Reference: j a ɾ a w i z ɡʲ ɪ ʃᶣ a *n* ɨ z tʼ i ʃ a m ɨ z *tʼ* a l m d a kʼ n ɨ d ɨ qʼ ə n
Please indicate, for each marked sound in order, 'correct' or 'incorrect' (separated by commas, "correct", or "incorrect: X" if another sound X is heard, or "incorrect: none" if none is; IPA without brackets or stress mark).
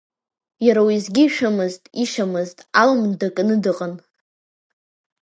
incorrect: m, correct